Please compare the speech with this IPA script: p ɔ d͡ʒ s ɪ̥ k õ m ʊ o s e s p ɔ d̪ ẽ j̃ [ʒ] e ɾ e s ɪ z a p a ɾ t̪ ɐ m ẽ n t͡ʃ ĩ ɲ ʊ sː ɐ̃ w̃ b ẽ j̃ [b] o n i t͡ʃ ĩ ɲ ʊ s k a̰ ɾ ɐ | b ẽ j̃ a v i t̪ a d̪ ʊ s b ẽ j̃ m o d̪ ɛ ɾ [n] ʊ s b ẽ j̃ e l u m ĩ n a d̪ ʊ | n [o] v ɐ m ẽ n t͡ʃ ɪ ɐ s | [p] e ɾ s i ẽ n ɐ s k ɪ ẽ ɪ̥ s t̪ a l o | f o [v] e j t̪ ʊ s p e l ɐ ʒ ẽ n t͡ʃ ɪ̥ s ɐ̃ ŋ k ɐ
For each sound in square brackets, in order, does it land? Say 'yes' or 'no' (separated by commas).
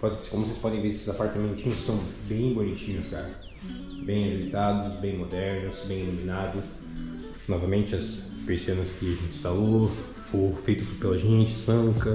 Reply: no, yes, yes, no, yes, no